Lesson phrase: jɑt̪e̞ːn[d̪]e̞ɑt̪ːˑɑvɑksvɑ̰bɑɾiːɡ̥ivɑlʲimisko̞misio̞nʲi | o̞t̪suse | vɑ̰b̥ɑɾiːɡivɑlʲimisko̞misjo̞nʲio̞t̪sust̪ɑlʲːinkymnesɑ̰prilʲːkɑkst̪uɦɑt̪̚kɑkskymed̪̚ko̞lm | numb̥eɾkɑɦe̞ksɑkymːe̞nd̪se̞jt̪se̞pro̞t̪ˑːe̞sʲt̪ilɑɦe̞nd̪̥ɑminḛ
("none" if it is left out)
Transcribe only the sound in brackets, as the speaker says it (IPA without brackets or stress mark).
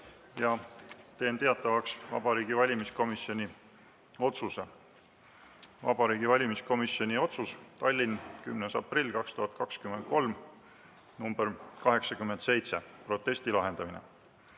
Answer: t̪